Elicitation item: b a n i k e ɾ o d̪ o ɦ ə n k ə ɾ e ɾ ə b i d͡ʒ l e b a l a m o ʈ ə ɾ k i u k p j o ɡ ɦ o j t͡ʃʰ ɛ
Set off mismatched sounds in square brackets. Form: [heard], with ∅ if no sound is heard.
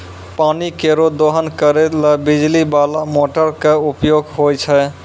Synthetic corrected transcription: [p] a n i k e ɾ o d̪ o ɦ ə n k ə ɾ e [l] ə b i d͡ʒ l [i] b a l a m o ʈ ə ɾ k [e] u [∅] p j o ɡ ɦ o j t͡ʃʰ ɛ